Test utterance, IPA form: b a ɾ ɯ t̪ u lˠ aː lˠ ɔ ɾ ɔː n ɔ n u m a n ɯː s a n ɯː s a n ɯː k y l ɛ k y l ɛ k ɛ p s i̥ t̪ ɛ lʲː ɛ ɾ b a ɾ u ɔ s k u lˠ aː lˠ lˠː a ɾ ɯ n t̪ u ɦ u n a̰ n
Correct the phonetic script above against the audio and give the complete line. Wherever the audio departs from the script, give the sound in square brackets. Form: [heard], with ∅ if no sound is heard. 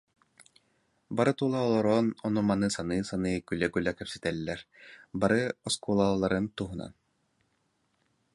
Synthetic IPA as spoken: b a ɾ ɯ t̪ u lˠ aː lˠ ɔ ɾ ɔː n ɔ n u m a n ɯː s a n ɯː s a n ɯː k y l ɛ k y l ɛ k ɛ p s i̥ t̪ ɛ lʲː ɛ ɾ b a ɾ [ɯ] ɔ s k u lˠ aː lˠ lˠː a ɾ ɯ n t̪ u ɦ u n a̰ n

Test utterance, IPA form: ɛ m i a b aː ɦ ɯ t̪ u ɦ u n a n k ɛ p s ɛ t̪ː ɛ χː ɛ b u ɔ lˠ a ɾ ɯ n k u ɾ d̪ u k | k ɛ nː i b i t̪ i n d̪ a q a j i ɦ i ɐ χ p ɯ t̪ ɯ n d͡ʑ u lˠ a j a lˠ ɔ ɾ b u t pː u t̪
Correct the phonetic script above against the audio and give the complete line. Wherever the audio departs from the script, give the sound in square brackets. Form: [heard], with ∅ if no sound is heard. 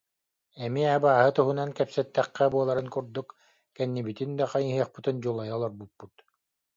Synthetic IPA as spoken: ɛ m i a b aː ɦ ɯ t̪ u ɦ u n a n k ɛ p s ɛ t̪ː ɛ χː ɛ b u ɔ lˠ a ɾ ɯ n k u ɾ d̪ u k | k ɛ nː i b i t̪ i n d̪ a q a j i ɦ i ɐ χ p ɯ t̪ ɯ n d͡ʑ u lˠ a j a lˠ ɔ ɾ b u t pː u t̪

